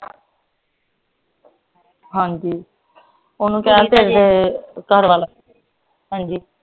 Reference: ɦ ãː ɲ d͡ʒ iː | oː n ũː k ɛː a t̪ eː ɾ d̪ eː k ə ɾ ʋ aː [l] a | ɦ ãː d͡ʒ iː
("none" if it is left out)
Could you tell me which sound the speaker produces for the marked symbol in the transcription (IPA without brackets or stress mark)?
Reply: l